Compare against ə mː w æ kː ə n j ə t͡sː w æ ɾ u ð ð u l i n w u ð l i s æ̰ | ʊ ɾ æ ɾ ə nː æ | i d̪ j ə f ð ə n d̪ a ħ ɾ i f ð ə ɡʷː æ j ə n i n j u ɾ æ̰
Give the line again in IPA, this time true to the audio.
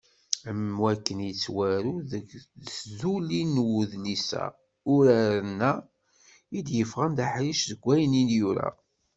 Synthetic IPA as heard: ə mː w æ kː ə n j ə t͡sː w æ ɾ u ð z u l i n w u ð l i s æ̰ | ʊ ɾ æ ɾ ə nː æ | i d̪ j ə f ʁ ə n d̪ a ħ ɾ i ʃ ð ə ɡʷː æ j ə n i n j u ɾ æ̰